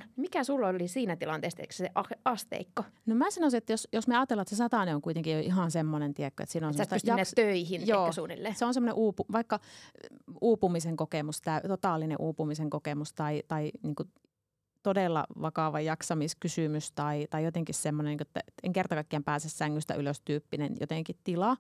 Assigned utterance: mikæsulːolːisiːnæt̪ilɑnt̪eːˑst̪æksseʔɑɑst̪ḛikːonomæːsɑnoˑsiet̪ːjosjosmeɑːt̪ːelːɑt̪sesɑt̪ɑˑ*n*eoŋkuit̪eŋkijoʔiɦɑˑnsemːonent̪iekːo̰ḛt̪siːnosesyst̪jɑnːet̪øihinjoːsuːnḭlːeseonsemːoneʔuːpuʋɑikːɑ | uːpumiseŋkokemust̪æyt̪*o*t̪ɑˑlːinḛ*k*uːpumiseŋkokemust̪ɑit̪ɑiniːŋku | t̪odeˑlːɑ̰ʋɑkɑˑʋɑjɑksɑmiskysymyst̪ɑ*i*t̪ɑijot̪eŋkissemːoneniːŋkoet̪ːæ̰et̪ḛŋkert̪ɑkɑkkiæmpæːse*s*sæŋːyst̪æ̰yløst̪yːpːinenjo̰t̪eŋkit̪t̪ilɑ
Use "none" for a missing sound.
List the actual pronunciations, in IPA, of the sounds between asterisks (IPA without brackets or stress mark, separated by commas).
n, o, ʔ, i, s